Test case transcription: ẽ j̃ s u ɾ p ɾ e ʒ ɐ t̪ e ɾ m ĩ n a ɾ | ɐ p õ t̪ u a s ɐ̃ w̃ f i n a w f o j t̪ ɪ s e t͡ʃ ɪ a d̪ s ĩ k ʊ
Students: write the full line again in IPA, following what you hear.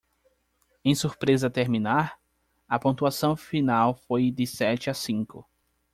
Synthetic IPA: ẽ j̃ s u ɾ p ɾ e z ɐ t̪ e ɾ m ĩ n a ɾ | ɐ p õ t̪ u a s ɐ̃ w̃ f i n a w f o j d̪ ɪ s ɛ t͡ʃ ɪ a s ĩ k ʊ